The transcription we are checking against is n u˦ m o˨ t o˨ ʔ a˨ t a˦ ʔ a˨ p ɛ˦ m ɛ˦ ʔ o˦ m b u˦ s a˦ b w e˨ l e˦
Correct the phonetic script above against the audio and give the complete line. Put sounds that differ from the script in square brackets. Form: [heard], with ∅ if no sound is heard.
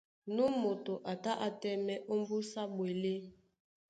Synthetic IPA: n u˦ m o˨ t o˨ ʔ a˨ t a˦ ʔ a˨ [t] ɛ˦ m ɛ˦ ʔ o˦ m b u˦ s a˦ b w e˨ l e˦